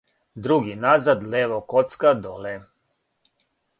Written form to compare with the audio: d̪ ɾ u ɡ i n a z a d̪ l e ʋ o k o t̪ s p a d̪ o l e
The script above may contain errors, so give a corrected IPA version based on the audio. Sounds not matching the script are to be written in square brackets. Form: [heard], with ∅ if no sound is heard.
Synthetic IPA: d̪ ɾ u ɡ i n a z a d̪ l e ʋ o k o t̪ s [k] a d̪ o l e

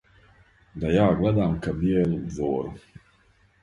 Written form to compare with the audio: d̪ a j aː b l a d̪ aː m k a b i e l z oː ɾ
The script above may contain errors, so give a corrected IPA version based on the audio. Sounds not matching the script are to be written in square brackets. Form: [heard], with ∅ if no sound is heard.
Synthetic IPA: d̪ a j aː [ɡ] l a d̪ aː m k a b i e l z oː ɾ

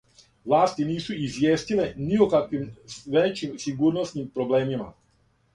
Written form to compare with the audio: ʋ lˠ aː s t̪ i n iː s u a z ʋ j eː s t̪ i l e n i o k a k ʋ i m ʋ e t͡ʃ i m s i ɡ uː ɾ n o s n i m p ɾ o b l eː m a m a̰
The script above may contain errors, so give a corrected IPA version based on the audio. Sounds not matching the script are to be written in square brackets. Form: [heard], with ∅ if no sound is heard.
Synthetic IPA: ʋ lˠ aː s t̪ i n iː s u [i] z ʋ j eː s t̪ i l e n i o k a k ʋ i m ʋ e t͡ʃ i m s i ɡ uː ɾ n o s n i m p ɾ o b l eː m [i] m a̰

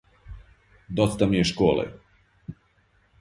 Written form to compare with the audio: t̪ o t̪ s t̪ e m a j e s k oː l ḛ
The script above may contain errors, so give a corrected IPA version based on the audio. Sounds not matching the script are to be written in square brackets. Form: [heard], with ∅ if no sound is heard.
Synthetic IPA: [d̪] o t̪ s t̪ [a] m [i] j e [ʃ] k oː l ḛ

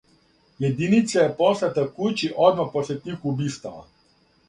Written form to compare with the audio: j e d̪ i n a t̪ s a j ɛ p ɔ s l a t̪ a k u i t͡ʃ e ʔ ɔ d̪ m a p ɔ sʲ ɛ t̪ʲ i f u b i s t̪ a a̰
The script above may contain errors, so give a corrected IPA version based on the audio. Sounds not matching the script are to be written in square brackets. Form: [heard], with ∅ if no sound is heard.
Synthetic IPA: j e d̪ i n [i] t̪ s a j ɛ p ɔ s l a t̪ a k u [j] t͡ʃ [i] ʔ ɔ d̪ m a p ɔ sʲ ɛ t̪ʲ i [x] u b i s t̪ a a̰

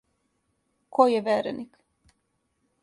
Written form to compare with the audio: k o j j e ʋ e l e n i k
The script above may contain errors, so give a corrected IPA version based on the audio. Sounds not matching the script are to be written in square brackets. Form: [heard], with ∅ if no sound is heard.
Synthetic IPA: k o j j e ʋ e [ɾ] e n i k

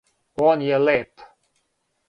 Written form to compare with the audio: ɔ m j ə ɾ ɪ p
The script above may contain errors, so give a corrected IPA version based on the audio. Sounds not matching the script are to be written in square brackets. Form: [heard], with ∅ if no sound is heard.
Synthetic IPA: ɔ [n] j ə [l] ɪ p

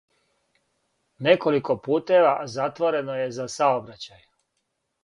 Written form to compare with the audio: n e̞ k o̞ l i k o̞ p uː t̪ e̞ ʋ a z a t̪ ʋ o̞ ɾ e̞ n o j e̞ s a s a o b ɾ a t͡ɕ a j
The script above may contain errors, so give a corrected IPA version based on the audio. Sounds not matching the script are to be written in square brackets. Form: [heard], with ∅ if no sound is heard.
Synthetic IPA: n e̞ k o̞ l i k o̞ p uː t̪ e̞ ʋ a z a t̪ ʋ o̞ ɾ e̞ n o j e̞ [z] a s a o b ɾ a t͡ɕ a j

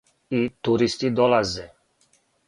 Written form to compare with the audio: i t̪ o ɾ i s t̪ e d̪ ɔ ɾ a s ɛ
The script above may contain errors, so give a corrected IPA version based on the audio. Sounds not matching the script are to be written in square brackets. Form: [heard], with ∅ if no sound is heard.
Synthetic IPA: i t̪ [u] ɾ i s t̪ [i] d̪ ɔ [l] a [z] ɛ

